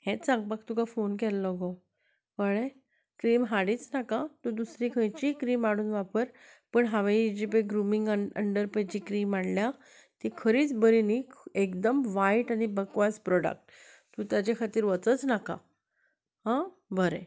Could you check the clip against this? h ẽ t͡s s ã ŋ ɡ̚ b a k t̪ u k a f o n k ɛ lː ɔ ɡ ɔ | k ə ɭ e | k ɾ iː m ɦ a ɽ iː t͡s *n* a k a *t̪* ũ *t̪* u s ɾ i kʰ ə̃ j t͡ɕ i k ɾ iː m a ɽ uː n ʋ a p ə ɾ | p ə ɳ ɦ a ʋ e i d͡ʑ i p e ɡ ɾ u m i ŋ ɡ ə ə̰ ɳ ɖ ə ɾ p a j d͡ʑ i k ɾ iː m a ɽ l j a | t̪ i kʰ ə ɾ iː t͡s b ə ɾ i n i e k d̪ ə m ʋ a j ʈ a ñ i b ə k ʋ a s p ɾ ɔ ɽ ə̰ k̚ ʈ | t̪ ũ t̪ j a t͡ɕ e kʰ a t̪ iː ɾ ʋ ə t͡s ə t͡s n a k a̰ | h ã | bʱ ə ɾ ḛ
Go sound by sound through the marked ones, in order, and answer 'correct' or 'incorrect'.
correct, correct, incorrect: d̪

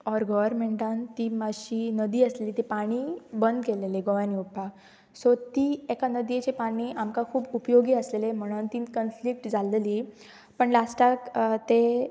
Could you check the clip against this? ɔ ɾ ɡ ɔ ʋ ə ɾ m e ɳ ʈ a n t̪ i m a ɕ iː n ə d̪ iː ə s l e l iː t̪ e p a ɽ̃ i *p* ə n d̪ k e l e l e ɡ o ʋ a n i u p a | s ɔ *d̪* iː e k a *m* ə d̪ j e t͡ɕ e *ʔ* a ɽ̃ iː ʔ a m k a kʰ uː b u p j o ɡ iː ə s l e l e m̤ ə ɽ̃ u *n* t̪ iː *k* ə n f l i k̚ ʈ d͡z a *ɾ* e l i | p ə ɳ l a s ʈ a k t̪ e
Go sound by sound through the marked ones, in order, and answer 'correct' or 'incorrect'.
incorrect: b, incorrect: t̪, incorrect: n, incorrect: p, correct, correct, incorrect: l

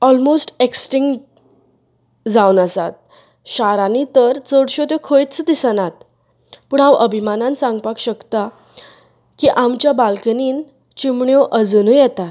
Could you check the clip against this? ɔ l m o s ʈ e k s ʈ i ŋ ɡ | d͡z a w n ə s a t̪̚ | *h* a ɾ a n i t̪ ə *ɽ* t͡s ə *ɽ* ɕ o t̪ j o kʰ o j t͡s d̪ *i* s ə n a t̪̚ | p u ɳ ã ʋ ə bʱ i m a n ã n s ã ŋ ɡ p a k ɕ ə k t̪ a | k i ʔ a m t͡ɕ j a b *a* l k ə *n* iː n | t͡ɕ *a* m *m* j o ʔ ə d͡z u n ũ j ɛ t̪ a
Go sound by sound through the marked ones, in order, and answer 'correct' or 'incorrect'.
incorrect: ɕ, incorrect: ɾ, correct, correct, correct, correct, incorrect: i, incorrect: ɳ

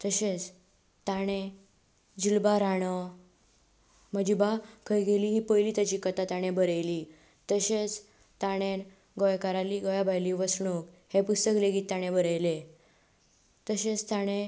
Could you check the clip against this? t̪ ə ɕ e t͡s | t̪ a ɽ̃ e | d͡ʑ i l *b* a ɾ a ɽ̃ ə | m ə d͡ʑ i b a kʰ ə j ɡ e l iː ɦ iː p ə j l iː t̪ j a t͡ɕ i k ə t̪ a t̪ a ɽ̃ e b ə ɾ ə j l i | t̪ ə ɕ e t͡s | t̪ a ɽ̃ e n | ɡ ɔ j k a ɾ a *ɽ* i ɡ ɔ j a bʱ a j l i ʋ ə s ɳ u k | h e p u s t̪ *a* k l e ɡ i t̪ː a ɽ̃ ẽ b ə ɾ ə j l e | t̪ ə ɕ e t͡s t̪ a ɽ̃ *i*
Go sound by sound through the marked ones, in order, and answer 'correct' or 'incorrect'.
correct, incorrect: l, incorrect: ə, incorrect: e

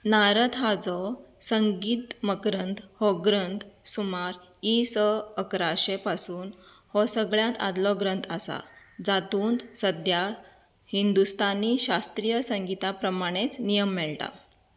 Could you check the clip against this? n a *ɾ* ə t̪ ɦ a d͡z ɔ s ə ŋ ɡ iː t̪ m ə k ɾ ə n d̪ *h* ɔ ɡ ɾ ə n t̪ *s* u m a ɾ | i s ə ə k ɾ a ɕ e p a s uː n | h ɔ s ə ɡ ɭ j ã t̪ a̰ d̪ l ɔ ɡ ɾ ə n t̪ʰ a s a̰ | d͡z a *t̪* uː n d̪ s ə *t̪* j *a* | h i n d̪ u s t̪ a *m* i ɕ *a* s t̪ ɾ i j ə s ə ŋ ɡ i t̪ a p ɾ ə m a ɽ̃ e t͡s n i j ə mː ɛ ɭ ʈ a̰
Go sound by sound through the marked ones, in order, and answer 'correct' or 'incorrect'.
correct, correct, correct, correct, incorrect: d̪, correct, incorrect: n, correct

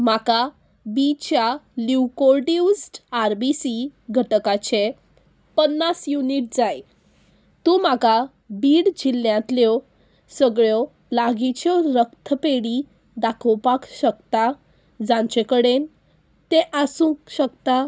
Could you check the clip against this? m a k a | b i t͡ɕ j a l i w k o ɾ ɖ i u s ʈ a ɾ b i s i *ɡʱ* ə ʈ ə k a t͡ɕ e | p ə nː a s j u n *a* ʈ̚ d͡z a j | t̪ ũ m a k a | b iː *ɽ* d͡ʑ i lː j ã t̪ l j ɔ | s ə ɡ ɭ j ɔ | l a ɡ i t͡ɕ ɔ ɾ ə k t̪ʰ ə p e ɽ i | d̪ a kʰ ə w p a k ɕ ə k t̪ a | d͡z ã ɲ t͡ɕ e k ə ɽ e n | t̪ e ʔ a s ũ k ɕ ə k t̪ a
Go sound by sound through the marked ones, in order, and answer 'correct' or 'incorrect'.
correct, incorrect: i, correct

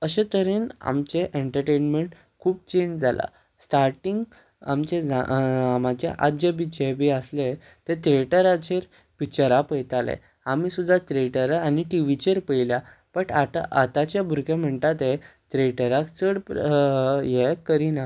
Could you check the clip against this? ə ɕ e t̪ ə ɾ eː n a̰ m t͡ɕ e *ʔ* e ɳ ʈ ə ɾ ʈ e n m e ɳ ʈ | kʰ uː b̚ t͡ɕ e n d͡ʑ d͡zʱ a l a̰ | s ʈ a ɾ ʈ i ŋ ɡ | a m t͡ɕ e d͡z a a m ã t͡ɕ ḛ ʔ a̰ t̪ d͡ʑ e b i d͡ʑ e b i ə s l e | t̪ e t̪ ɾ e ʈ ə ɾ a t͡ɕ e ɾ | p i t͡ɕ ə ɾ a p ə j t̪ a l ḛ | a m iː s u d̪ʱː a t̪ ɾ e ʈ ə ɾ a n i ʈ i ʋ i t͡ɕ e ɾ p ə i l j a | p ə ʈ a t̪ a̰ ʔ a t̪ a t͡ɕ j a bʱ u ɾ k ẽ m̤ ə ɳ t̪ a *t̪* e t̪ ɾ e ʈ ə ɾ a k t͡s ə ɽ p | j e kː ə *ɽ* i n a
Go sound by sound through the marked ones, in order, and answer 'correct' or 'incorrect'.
correct, correct, incorrect: ɾ

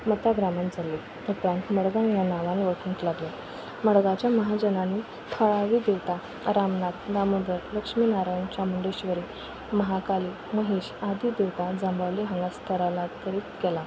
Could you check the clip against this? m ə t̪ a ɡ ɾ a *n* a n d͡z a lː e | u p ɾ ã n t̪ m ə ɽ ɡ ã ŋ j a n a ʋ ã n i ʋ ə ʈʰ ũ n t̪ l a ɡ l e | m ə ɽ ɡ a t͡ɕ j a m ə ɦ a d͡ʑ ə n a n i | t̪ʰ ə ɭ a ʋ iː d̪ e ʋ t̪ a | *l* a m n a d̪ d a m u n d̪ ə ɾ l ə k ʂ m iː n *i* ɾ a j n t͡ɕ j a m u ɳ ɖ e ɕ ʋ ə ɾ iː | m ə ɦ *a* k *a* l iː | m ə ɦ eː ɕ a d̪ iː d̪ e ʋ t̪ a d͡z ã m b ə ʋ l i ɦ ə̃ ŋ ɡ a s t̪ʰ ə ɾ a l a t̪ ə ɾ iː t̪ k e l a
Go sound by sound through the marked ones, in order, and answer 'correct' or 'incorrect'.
incorrect: m, incorrect: ɾ, incorrect: a, correct, correct

